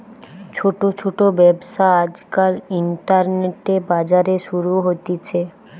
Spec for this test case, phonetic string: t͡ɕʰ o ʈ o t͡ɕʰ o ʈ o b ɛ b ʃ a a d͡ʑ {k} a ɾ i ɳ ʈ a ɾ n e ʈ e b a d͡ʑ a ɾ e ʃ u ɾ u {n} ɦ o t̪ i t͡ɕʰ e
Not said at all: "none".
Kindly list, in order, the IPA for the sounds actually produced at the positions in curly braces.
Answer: k, none

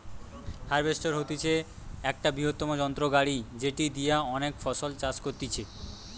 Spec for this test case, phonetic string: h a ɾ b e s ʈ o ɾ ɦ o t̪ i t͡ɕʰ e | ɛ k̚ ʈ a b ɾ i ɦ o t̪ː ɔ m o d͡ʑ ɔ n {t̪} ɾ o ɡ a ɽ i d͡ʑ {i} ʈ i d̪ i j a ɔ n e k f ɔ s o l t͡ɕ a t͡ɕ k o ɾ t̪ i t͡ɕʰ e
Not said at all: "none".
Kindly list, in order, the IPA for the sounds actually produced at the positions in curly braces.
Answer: t̪, e

